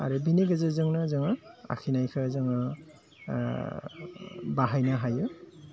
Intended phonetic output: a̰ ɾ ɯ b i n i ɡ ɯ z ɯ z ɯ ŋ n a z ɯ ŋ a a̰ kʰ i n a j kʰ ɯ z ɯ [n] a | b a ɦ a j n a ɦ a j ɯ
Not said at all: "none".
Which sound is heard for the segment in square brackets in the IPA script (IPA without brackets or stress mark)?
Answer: ŋ